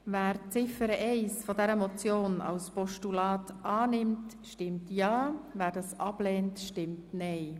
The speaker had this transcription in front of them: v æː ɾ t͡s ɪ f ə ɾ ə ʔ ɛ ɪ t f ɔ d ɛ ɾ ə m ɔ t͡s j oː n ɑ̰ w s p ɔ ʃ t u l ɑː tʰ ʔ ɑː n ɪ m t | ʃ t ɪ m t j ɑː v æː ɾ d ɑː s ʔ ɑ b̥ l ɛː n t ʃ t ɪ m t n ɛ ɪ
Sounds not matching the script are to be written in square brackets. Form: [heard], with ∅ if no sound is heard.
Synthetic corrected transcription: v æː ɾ t͡s ɪ f ə ɾ ə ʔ ɛ ɪ [s] f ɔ d ɛ ɾ ə m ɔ t͡s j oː n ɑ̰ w s p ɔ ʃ t u l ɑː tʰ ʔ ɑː n ɪ m t | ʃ t ɪ m t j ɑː v æː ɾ d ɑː s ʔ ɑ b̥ l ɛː n t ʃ t ɪ m t n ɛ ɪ

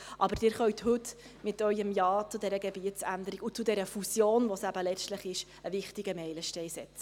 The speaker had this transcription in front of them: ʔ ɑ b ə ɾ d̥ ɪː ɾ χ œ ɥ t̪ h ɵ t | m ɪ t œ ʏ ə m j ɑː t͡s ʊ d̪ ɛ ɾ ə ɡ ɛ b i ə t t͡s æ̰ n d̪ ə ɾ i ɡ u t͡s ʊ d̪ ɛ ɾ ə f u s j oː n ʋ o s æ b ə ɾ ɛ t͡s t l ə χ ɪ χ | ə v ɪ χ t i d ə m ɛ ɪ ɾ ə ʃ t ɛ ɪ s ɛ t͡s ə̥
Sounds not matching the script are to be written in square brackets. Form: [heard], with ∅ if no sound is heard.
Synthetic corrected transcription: ʔ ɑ b ə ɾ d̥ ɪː ɾ χ œ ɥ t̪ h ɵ t | m ɪ t œ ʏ ə m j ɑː t͡s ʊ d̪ ɛ ɾ ə ɡ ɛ b i ə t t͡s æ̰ n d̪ ə ɾ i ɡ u t͡s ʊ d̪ ɛ ɾ ə f u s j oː n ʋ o s æ b ə [l] ɛ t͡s t l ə χ ɪ [ʃ] | ə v ɪ χ t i [ɡ] ə m ɛ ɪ [l] ə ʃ t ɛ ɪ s ɛ t͡s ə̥

